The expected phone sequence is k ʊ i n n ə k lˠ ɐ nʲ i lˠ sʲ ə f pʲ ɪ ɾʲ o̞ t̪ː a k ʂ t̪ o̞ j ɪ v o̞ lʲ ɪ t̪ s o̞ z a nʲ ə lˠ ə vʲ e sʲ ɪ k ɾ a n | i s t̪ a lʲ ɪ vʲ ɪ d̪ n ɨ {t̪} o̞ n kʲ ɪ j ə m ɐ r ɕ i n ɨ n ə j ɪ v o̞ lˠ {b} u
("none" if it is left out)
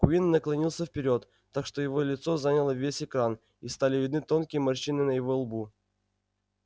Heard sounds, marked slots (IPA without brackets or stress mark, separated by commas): t̪, b